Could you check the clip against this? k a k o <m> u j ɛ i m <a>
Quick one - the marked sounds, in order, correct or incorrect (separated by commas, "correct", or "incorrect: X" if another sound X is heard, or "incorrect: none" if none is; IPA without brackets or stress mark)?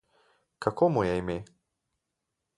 correct, incorrect: e